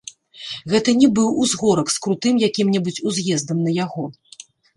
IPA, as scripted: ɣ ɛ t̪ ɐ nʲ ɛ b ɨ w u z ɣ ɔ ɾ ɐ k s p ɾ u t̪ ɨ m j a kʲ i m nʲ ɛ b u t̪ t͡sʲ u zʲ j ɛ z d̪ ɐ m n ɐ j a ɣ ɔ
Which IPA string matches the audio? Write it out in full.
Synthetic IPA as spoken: ɣ ɛ t̪ ɐ nʲ ɛ b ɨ w u z ɣ ɔ ɾ ɐ k s k ɾ u t̪ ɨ m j a kʲ i m nʲ ɛ b u t͡sʲ u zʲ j ɛ z d̪ ɐ m n ɐ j a ɣ ɔ